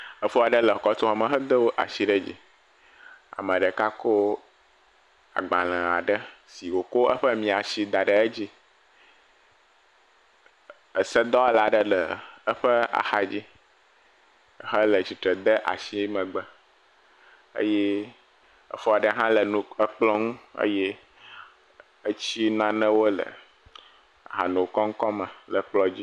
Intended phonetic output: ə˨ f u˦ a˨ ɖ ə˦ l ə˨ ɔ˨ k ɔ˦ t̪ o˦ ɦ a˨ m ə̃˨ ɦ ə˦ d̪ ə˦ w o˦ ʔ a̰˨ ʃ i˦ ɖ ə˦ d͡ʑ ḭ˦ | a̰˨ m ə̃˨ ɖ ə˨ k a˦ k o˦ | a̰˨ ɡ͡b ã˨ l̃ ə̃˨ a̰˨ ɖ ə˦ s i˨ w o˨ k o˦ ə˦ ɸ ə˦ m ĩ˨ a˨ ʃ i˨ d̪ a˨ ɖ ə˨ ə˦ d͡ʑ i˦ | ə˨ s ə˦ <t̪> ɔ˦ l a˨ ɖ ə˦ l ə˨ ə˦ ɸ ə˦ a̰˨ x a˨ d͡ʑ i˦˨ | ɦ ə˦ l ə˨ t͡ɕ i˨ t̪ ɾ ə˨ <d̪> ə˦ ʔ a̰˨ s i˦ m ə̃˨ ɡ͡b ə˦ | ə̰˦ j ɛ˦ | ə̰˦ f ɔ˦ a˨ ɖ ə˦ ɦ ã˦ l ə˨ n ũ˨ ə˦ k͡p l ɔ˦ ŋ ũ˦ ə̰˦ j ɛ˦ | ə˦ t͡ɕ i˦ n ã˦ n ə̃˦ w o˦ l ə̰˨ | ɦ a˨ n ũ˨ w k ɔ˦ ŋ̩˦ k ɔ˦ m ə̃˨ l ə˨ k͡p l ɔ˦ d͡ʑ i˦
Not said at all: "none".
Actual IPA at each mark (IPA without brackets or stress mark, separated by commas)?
d̪, d̪